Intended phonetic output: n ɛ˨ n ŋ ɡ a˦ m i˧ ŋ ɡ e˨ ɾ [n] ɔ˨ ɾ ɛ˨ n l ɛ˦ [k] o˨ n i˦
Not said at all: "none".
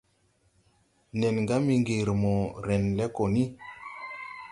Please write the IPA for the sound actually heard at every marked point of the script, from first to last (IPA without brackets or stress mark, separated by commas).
m, k